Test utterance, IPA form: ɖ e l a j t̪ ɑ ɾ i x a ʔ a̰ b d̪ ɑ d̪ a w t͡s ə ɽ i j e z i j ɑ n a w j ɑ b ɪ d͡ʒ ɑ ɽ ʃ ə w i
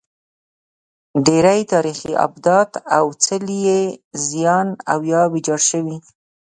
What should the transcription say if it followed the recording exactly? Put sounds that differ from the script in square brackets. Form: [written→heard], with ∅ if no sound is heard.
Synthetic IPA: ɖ e [l→ɾ] a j t̪ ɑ ɾ i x [a→i] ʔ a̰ b d̪ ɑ [d̪→t̪] a w t͡s ə [ɽ→l] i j e z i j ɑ n a w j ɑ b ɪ d͡ʒ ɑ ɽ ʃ ə w i

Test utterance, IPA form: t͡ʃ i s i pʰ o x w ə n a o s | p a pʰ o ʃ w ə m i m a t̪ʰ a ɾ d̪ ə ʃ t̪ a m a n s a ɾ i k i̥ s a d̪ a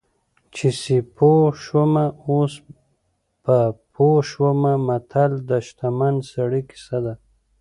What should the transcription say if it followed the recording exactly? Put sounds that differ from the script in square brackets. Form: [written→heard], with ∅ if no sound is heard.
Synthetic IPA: t͡ʃ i s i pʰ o [x→ʃ] w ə [n→m] a o s | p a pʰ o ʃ w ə m [i→a] m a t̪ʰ a [ɾ→l] d̪ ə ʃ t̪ a m a n s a [ɾ→ɽ] i k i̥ s a d̪ a

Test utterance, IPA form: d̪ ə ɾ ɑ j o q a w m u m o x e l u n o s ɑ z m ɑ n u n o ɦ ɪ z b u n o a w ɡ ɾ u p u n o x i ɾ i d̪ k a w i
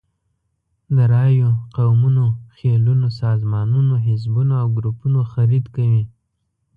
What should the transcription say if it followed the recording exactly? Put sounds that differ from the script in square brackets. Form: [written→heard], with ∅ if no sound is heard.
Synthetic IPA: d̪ ə ɾ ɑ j o q a w m u [m→n] o x e l u n o s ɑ z m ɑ n u n o ɦ ɪ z b u n o a w ɡ ɾ u p u n o x [i→a] ɾ i d̪ k a w i

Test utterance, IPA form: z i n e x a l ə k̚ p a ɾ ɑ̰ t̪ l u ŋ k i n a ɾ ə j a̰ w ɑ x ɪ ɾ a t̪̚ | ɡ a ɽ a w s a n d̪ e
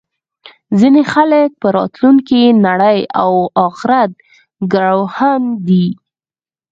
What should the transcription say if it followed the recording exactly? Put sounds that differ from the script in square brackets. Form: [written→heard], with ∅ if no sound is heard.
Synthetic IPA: z i n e x a l ə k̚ p [a→ə] ɾ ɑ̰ t̪ l u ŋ k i n a [ɾ→ɽ] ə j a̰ w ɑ x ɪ ɾ a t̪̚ | ɡ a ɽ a w [s→h] a n d̪ [e→i]

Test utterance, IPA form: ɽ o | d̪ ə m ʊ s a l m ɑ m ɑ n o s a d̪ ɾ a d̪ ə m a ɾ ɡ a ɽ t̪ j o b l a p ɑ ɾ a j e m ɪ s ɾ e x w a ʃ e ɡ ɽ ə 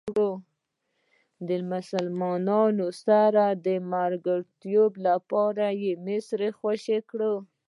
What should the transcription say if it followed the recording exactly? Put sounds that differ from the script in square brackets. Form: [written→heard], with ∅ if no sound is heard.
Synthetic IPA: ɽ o | d̪ ə m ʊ s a l m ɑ [m→n] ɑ n o s a [d̪→∅] ɾ a d̪ ə m a ɾ ɡ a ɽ t̪ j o b l a p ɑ ɾ a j e m ɪ s ɾ e x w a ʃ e [ɡ→k] ɽ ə

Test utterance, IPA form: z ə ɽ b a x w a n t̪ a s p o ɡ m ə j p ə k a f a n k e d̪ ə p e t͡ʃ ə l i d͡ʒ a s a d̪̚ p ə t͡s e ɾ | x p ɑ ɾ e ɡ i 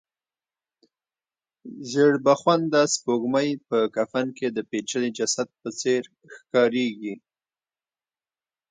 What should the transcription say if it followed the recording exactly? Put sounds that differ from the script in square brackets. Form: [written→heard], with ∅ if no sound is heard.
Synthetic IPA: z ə ɽ b a x w a n [t̪→d̪] a s p o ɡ m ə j p ə k a f a n k e d̪ ə p e t͡ʃ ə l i d͡ʒ a s a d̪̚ p ə t͡s e ɾ | x [p→k] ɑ ɾ e ɡ i

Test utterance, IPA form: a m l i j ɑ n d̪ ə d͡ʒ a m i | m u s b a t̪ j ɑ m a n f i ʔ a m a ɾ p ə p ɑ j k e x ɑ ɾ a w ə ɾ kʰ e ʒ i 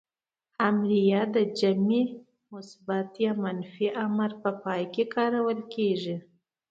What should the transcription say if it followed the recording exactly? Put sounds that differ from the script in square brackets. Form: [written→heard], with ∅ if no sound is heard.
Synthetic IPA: a m [l→ɾ] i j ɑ [n→∅] d̪ ə d͡ʒ a m i | m [u→ʊ] s b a t̪ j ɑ m a n f i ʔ a m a ɾ p ə p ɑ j k e [x→k] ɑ ɾ a w ə [ɾ→l] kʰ e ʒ i

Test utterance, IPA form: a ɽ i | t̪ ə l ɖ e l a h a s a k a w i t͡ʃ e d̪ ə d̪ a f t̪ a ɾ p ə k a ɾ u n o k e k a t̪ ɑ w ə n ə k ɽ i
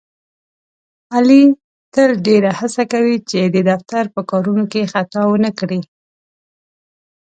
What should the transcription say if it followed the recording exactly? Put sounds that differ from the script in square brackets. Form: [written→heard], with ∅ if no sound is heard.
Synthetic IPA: a [ɽ→l] i | t̪ ə l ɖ e [l→ɾ] a h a s a k a w i t͡ʃ e d̪ ə d̪ a f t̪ a ɾ p ə k [a→ɑ] ɾ u n o k e [k→x] a t̪ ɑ w ə n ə k ɽ i

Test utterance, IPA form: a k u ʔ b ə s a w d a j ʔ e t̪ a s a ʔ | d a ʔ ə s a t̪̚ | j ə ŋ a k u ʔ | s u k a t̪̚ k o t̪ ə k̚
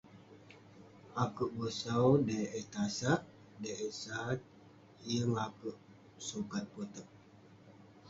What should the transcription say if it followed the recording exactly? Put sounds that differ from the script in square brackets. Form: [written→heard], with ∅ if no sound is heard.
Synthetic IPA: a k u ʔ b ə s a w d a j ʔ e t̪ a s a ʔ | d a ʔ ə s a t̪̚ | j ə ŋ a k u ʔ | s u k a t̪̚ [k→p] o t̪ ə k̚

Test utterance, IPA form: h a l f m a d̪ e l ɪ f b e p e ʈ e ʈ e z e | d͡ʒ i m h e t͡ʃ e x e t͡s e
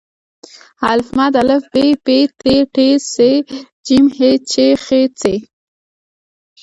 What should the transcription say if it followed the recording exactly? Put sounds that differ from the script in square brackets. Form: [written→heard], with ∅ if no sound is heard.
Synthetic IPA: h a l f m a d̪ [e→a] l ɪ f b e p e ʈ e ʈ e [z→s] e | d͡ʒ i m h e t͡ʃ e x e t͡s e

